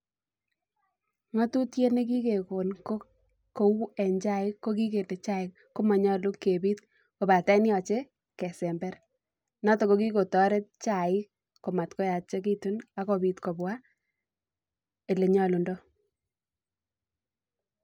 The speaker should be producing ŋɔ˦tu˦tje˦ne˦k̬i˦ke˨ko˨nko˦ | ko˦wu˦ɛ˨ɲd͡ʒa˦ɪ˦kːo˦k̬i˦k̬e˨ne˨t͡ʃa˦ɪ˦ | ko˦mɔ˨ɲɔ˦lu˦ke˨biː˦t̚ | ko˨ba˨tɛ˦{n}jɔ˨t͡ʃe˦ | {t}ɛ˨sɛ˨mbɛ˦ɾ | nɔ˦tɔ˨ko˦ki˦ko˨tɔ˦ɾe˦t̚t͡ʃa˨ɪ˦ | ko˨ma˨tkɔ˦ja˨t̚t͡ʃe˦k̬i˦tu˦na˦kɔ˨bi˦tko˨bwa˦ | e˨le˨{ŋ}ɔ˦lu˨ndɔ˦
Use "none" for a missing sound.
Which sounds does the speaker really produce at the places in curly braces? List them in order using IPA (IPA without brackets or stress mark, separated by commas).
n, k, ɲ